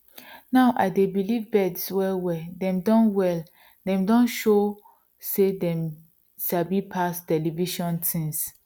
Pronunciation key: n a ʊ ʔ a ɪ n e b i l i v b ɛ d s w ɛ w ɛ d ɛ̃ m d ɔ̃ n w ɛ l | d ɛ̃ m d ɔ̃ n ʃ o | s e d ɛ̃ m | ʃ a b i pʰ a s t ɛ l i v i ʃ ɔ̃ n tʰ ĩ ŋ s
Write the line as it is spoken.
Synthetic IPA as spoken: n a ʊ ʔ a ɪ d e b i l i v b ɛ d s w ɛ w ɛ d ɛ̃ m d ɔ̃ n w ɛ l | d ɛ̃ m d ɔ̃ n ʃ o | s e d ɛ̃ m | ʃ a b i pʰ a s t ɛ l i v i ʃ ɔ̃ n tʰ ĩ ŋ s